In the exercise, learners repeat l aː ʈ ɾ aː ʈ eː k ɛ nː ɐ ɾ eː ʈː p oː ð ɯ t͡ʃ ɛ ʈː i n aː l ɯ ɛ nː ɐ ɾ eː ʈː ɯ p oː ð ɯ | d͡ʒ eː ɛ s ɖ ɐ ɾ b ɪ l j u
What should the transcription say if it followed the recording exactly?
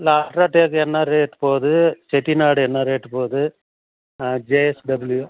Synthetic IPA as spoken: l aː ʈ ɾ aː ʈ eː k ɛ nː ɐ ɾ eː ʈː p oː ð ɯ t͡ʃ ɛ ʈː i n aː ɽ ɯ ɛ nː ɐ ɾ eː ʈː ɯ p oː ð ɯ | d͡ʒ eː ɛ s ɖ ɐ b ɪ l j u